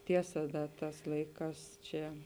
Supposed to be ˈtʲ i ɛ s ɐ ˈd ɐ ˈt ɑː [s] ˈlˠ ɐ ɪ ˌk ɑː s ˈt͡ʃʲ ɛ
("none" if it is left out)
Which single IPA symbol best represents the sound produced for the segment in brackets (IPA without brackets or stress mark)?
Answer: s